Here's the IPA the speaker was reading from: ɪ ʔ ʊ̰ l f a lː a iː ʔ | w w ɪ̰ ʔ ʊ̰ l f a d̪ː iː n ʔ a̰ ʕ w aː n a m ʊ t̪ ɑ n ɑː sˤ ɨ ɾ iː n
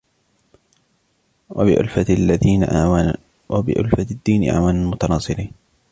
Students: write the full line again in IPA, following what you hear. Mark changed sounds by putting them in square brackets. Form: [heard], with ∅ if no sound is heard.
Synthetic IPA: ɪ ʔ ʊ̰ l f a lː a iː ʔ | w [b] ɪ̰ ʔ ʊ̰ l f a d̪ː iː n ʔ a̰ ʕ w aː n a m ʊ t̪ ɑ n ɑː sˤ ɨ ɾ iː n